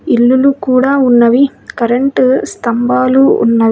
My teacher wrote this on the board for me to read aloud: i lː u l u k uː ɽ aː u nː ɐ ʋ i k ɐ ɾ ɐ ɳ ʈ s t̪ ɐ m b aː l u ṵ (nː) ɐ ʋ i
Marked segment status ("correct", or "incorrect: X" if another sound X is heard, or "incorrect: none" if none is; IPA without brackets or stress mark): correct